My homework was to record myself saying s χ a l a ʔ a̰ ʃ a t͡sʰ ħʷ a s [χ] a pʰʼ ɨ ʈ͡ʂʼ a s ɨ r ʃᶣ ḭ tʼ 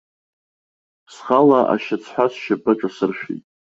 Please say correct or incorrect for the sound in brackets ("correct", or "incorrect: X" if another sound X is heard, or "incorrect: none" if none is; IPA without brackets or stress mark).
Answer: incorrect: ʃ